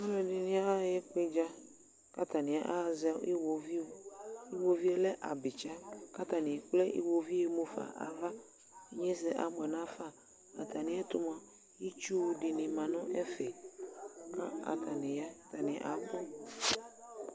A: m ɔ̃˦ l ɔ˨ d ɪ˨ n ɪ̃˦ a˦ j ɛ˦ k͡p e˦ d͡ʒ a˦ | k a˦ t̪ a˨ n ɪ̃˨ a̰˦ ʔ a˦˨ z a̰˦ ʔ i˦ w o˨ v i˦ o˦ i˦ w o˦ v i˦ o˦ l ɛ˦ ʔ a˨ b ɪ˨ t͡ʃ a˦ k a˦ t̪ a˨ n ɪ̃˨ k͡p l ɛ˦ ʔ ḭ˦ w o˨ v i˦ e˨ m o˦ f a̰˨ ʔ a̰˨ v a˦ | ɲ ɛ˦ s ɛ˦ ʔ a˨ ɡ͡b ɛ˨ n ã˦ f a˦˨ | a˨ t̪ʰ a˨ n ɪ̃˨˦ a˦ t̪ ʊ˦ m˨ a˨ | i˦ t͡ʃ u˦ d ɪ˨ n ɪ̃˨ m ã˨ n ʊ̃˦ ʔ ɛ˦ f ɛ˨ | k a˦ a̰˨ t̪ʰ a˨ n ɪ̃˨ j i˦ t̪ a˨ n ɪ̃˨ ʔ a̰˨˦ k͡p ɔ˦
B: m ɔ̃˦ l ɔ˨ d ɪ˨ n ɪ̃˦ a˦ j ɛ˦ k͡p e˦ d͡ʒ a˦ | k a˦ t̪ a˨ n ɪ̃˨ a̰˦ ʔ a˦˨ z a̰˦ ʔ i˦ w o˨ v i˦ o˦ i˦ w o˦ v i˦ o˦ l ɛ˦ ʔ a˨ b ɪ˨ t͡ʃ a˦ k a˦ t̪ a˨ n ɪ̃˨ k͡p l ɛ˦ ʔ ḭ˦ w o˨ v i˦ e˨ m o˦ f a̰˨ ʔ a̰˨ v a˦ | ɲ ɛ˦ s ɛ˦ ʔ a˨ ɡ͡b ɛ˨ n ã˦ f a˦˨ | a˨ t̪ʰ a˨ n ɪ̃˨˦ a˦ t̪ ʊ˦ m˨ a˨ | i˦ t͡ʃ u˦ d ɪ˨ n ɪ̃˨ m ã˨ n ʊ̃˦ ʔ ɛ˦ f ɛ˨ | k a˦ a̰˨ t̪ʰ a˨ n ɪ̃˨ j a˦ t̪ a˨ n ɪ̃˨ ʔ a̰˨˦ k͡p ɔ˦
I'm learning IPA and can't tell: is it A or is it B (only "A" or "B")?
B